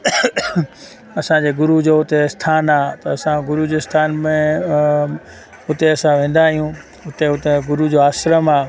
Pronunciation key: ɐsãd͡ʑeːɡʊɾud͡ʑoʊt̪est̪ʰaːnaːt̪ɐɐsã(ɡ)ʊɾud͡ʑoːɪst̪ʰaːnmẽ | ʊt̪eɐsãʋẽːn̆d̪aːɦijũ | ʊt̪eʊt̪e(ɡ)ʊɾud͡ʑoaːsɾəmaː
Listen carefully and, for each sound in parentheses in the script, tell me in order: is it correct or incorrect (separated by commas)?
correct, correct